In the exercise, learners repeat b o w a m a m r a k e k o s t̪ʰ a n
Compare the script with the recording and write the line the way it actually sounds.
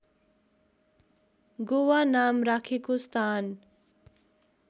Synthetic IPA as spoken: ɡ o w a n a m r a kʰ e k o s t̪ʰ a n